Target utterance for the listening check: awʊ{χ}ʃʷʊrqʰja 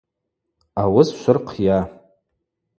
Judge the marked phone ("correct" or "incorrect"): incorrect